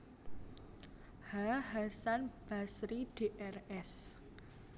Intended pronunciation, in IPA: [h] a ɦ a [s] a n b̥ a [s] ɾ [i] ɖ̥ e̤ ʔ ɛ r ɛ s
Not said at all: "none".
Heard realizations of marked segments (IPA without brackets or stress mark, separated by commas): h, s, s, i